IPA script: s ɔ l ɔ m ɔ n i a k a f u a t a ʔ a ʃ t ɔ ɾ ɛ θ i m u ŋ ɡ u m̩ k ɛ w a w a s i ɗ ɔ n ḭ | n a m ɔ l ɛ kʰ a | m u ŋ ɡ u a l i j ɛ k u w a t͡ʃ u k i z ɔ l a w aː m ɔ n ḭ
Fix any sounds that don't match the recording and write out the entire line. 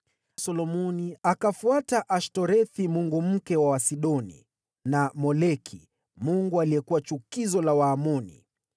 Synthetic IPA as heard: s ɔ l ɔ m ɔ n i a k a f u a t a ʔ a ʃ t ɔ ɾ ɛ θ i m u ŋ ɡ u m̩ k ɛ w a w a s i ɗ ɔ n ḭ | n a m ɔ l ɛ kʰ i | m u ŋ ɡ u a l i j ɛ k u w a t͡ʃ u k i z ɔ l a w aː m ɔ n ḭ